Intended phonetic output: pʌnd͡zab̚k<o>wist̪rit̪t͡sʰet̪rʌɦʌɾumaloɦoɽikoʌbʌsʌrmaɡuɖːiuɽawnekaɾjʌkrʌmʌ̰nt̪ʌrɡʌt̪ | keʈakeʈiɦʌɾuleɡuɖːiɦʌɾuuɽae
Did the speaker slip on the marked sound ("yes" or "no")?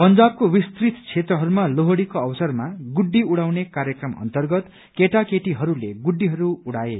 no